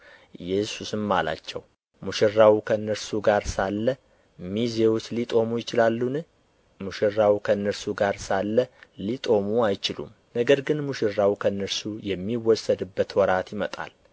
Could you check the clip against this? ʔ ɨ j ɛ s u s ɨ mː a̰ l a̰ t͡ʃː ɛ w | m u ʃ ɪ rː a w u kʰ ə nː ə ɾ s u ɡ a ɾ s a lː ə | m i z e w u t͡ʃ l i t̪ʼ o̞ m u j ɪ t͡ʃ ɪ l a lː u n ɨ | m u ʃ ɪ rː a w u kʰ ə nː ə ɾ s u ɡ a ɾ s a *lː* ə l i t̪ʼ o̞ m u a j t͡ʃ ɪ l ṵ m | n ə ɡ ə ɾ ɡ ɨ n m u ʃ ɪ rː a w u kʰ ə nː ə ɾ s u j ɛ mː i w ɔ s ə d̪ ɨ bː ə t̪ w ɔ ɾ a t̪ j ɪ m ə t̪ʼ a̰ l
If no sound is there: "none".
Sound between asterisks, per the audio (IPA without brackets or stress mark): lː